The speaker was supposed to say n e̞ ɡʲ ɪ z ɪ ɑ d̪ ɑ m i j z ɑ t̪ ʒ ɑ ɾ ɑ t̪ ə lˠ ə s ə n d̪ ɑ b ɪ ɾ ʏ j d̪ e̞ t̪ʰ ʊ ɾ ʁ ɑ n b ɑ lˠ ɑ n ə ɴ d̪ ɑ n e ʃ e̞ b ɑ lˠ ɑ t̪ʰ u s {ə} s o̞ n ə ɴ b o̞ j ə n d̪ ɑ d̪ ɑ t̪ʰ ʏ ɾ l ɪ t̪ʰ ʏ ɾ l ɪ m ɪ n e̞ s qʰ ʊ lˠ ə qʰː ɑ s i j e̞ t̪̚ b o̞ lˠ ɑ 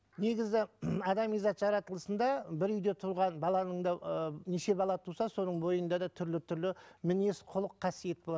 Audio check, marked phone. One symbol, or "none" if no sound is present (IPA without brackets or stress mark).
ɑ